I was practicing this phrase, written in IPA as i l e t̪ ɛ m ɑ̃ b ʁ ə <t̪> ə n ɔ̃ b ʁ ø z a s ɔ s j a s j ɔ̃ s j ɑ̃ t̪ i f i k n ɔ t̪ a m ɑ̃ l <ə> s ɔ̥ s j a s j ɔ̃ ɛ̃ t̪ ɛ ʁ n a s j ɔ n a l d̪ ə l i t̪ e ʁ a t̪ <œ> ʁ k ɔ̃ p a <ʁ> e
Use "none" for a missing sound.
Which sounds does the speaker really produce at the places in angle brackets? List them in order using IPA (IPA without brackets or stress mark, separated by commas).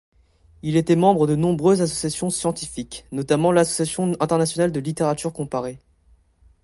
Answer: d̪, a, y, ʁ